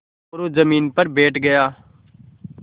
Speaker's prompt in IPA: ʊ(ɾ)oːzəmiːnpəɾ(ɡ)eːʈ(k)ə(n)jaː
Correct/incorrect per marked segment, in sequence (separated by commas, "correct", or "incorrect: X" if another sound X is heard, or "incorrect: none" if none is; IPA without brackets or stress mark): correct, incorrect: b, incorrect: ɡ, incorrect: none